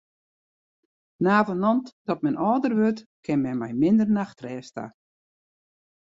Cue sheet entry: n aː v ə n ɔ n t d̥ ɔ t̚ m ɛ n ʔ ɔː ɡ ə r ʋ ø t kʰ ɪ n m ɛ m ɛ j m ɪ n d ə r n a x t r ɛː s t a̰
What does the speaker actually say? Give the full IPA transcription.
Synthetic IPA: n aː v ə n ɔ n t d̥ ɔ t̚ m ɛ n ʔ ɔː d ə r ʋ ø t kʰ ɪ n m ɛ m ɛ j m ɪ n d ə r n a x t r ɛː s t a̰